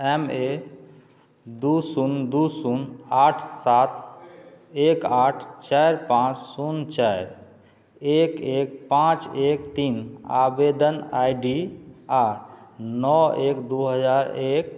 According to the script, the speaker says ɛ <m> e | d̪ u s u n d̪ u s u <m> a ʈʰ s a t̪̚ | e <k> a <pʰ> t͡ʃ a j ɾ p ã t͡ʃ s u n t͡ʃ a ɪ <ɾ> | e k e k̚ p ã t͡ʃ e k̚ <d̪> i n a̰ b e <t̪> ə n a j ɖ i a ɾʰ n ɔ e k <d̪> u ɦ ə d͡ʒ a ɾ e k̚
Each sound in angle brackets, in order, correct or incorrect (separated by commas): correct, incorrect, correct, incorrect, correct, incorrect, incorrect, correct